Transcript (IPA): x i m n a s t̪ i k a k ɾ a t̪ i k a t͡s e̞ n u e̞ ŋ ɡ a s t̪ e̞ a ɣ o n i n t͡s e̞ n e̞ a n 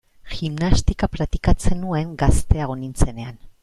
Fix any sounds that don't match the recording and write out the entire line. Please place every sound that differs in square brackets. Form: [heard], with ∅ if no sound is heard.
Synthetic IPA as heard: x i m n a s t̪ i k a [p] ɾ a t̪ i k a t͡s e̞ n u e̞ ŋ ɡ a s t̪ e̞ a ɣ o n i n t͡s e̞ n e̞ a n